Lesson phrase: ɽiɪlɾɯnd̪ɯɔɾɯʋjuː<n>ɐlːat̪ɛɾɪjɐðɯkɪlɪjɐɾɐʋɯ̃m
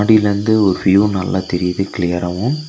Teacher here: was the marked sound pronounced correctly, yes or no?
yes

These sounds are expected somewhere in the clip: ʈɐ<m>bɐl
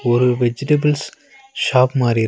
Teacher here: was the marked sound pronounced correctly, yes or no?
no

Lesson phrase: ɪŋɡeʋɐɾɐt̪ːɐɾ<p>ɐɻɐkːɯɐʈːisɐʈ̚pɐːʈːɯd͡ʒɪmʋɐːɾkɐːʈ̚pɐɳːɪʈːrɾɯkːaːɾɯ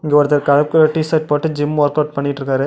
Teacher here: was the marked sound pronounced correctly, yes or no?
no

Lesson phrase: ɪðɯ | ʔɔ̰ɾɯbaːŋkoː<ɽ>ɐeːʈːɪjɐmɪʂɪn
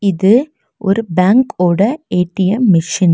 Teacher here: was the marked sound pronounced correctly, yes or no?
yes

